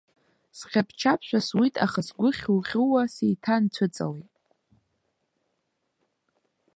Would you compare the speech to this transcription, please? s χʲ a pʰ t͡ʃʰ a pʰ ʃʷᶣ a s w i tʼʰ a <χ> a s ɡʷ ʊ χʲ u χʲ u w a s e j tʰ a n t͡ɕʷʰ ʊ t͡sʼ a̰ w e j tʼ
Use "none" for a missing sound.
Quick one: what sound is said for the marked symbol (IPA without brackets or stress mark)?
χ